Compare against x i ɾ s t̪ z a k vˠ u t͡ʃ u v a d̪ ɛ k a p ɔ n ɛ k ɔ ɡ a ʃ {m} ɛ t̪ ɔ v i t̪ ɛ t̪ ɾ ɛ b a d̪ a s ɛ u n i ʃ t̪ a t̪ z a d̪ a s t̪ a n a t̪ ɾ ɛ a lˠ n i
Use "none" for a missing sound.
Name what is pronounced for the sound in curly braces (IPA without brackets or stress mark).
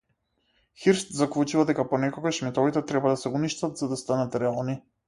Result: m